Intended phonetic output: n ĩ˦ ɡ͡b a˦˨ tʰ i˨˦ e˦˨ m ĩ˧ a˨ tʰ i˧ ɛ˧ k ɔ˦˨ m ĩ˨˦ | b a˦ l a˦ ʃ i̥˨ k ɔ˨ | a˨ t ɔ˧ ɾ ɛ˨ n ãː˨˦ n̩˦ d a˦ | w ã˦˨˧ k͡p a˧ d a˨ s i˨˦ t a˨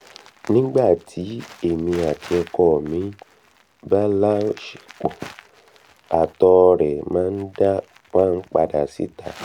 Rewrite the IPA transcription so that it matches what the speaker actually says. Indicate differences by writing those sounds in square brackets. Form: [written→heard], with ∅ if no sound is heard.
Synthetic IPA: n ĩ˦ ɡ͡b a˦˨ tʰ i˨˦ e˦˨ m ĩ˧ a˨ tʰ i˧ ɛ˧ k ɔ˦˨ m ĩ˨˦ | b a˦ l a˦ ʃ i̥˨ [k→k͡p] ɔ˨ | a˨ t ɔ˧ ɾ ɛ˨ [n→m] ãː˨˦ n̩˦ d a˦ | w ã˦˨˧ k͡p a˧ d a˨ s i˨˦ t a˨